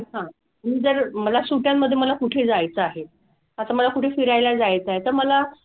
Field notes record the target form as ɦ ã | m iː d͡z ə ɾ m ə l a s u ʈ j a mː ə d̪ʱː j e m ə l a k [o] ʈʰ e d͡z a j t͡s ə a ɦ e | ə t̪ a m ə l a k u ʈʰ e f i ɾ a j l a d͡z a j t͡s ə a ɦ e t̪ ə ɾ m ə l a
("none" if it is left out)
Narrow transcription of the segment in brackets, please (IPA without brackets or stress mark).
u